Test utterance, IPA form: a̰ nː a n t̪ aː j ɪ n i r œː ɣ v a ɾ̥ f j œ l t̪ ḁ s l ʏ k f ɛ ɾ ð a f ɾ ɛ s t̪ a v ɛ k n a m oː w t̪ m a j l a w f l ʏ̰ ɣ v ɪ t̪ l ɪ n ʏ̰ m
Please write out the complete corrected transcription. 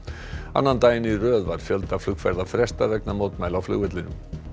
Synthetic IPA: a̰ nː a n t̪ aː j ɪ n i r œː ð v a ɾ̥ f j œ l t̪ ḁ f l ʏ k f ɛ ɾ ð a f ɾ ɛ s t̪ a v ɛ k n a m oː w t̪ m a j l a w f l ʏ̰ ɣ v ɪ t̪ l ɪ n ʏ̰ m